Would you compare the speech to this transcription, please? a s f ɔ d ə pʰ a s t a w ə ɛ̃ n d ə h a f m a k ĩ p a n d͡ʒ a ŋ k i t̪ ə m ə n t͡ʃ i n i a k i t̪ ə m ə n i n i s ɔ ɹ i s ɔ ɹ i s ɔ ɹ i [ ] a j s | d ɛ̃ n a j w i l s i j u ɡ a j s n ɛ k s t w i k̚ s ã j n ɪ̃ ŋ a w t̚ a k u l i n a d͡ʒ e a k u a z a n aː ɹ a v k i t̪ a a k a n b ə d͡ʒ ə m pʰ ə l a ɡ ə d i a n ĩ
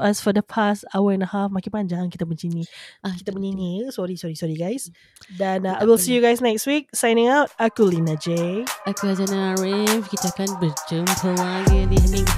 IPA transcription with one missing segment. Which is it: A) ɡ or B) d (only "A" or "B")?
A